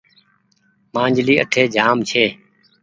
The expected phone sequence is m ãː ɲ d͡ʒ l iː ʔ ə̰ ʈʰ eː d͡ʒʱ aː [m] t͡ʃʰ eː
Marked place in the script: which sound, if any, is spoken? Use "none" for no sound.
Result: m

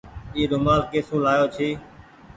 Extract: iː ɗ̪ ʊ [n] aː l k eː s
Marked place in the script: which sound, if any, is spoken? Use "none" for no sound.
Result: m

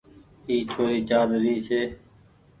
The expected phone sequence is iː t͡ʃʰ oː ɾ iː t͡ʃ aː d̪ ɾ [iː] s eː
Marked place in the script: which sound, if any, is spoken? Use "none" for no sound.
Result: iː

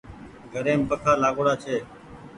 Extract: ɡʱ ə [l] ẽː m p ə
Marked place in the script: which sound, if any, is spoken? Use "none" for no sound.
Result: ɾ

